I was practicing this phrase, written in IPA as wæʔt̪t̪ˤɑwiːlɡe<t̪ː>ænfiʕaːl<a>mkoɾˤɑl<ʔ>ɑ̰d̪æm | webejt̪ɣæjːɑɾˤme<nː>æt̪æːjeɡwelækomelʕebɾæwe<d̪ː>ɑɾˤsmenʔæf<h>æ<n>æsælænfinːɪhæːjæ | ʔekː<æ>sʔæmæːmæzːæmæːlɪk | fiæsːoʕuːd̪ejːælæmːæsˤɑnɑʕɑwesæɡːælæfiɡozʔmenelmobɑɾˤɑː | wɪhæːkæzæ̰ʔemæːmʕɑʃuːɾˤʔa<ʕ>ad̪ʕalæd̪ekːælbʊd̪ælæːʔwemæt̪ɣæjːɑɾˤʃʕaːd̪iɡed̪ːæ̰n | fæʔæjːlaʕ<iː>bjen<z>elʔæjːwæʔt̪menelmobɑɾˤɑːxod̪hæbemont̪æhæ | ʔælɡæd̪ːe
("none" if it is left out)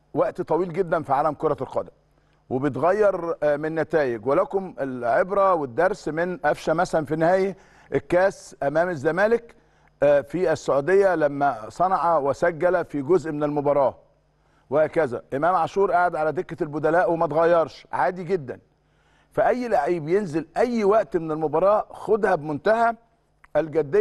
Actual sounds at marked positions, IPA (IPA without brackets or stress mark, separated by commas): d̪ː, æ, q, nː, d̪ː, ʃ, m, æː, ʕ, iː, z